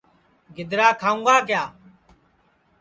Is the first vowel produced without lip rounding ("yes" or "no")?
yes